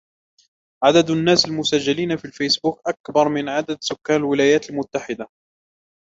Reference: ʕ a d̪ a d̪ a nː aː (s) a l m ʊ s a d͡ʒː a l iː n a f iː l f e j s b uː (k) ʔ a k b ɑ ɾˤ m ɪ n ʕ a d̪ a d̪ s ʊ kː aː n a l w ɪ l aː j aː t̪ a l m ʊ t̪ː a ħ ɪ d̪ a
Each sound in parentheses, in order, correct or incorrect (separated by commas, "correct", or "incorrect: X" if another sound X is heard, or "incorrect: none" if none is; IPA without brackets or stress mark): correct, correct